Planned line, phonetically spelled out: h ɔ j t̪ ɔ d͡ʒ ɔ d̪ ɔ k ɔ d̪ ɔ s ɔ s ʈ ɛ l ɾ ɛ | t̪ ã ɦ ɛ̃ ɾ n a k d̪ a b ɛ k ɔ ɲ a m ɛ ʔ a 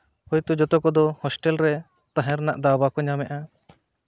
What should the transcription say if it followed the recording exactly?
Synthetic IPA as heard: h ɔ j t̪ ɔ d͡ʒ ɔ t̪ ɔ k ɔ d̪ ɔ h ɔ s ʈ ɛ l ɾ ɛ | t̪ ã ɦ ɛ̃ ɾ n a ʔ d̪ a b a k ɔ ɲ a m ɛ ʔ a